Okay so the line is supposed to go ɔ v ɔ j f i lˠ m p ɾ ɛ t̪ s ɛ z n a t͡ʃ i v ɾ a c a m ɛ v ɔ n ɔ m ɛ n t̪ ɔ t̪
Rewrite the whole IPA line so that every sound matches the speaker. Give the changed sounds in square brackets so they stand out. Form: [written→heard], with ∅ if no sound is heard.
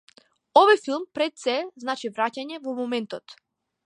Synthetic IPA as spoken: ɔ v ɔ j f i lˠ m p ɾ ɛ t̪ s ɛ z n a t͡ʃ i v ɾ a c a [m→ɲ] ɛ v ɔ [n→m] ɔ m ɛ n t̪ ɔ t̪